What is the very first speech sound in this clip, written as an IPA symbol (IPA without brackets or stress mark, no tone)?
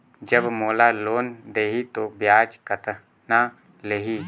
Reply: d͡ʒ